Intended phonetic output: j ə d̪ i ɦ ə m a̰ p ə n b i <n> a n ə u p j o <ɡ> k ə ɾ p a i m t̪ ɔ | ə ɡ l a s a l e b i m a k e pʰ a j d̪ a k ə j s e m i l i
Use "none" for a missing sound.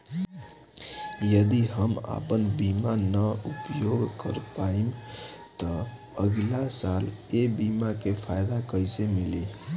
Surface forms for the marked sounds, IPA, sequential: m, ɡ

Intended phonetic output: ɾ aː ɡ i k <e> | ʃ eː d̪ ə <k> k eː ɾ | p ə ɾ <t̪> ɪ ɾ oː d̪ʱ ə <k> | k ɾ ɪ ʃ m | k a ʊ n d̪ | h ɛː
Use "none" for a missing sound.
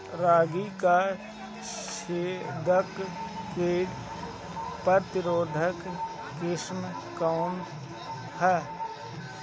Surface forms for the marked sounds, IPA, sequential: a, k, t̪, k

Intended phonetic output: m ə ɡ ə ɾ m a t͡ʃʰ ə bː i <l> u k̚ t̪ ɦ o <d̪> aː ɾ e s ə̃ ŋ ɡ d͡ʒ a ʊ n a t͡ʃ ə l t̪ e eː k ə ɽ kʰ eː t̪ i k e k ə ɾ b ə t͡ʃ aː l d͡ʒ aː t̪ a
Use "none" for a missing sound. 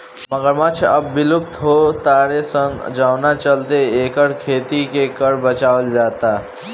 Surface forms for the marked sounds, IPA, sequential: l, t̪

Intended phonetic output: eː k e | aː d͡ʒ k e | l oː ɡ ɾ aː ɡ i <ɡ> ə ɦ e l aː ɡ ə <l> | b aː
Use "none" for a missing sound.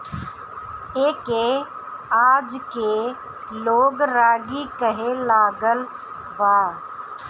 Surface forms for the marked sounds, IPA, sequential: k, l

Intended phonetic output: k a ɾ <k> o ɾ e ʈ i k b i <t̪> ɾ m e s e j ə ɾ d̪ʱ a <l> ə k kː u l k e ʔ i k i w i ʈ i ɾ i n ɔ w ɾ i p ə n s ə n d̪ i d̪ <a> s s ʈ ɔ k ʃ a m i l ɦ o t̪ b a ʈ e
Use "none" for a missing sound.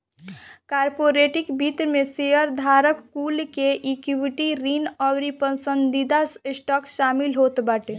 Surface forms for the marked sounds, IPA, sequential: p, t̪, ɾ, a

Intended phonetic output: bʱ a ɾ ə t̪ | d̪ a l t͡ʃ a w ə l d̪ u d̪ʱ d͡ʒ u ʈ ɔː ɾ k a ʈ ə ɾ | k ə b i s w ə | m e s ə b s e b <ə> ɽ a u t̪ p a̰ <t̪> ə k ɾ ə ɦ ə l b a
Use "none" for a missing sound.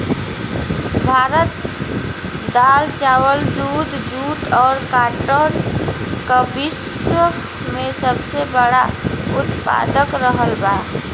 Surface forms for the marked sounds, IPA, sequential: ə, d̪

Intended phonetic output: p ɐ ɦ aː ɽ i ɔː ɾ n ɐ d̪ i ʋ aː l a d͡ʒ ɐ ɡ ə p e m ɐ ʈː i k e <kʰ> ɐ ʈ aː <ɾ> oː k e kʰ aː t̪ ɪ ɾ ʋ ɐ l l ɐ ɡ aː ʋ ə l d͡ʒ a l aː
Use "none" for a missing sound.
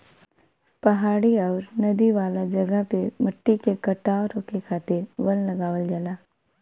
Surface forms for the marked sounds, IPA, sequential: k, ɾ

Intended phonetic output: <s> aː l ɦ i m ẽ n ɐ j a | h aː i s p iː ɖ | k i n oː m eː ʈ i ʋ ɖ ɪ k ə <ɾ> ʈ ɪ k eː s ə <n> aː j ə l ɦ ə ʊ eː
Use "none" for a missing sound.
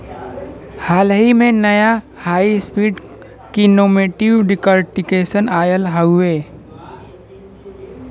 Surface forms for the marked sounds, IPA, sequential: h, ɾ, n

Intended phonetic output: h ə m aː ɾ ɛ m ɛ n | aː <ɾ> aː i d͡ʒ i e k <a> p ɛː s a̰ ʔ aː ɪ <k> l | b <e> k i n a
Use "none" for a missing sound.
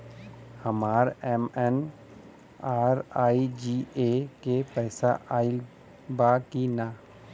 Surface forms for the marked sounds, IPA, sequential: ɾ, e, none, a

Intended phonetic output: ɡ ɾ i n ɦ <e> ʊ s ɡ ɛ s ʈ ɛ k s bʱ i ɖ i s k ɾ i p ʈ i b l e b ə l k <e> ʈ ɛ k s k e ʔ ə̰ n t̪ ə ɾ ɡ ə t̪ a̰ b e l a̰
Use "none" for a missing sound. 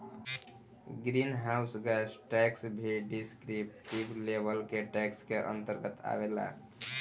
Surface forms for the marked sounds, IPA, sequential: a, e

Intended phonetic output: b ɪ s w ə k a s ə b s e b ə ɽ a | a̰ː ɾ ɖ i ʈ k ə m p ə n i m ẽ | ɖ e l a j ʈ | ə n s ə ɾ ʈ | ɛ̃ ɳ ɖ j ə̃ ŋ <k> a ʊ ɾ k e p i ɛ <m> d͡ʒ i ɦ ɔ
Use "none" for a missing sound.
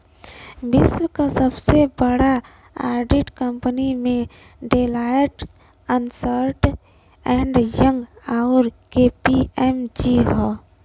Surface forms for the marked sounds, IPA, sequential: ɡ, m

